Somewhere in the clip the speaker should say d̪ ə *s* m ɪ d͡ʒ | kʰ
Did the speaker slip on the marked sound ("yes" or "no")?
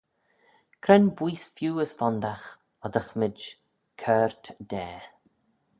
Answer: yes